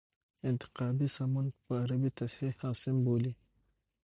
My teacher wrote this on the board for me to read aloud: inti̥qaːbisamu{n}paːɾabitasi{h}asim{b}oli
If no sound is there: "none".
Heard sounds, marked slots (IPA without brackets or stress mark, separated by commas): n, h, b